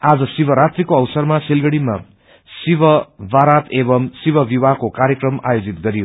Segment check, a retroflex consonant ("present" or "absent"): present